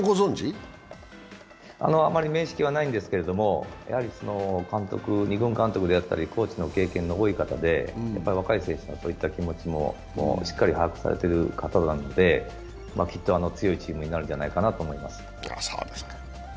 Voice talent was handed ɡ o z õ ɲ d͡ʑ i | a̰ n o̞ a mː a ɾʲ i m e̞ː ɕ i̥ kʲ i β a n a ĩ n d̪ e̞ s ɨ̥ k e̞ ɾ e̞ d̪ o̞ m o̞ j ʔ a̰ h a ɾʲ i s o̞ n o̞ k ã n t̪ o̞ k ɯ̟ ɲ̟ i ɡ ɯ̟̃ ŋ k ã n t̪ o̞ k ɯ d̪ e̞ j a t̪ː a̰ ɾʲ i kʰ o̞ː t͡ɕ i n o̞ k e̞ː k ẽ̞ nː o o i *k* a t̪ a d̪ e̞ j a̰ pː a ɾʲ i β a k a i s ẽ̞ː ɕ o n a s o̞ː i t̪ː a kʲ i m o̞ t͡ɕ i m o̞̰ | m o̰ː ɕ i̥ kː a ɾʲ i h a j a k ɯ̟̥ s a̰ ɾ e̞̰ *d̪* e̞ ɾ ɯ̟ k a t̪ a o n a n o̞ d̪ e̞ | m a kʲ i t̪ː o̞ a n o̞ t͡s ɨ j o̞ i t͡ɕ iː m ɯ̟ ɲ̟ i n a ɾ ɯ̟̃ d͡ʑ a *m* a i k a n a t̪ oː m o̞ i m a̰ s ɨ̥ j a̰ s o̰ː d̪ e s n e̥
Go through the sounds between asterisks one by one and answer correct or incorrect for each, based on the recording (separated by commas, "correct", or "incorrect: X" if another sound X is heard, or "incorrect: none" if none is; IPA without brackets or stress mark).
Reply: correct, incorrect: t̪, incorrect: n